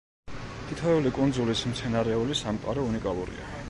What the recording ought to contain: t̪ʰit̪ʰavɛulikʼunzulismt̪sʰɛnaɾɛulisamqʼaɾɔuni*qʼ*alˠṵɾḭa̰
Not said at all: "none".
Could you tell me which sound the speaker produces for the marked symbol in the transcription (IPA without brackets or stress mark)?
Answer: kʼ